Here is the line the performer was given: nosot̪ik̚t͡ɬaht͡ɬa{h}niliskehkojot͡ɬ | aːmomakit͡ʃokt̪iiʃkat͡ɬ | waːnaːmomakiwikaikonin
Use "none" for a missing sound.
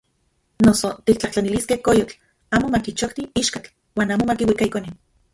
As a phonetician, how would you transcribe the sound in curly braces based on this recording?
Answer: none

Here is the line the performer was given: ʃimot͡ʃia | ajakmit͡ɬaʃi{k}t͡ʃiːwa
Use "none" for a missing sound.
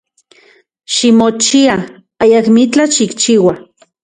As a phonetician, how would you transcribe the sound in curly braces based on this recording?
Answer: k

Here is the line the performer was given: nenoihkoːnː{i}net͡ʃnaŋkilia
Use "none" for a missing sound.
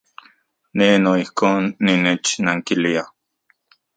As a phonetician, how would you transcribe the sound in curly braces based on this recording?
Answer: i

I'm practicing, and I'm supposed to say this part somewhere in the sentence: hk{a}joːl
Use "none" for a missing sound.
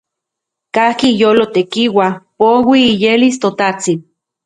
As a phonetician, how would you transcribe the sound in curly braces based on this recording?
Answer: i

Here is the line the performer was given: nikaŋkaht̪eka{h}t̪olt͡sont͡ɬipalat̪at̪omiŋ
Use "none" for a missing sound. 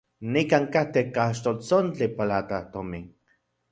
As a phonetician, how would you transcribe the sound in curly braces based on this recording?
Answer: ʃ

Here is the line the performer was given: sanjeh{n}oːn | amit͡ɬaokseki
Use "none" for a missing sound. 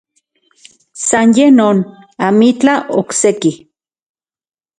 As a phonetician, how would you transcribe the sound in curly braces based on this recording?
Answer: n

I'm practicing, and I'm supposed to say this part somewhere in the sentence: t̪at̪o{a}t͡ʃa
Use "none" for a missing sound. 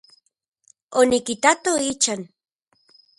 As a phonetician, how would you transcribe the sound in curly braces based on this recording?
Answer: i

